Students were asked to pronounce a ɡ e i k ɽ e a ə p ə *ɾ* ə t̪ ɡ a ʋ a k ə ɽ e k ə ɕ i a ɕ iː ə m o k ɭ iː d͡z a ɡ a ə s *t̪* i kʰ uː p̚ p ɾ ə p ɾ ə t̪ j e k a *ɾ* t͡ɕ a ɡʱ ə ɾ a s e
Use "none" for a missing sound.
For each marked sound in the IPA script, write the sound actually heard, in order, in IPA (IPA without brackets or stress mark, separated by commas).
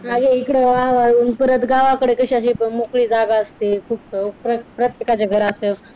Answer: ɾ, t̪, none